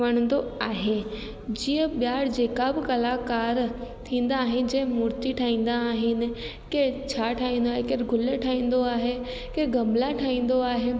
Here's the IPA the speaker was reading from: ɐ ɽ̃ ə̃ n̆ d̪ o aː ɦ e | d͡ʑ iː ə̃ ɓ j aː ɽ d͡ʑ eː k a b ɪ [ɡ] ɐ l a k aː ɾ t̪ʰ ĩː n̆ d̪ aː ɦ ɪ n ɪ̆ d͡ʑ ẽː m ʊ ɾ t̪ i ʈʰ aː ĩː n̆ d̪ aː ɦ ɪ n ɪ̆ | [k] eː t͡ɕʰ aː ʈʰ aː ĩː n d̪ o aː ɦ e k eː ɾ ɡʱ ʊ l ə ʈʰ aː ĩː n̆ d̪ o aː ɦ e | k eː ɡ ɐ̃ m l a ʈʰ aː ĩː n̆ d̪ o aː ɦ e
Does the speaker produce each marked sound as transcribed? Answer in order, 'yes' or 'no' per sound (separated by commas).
no, yes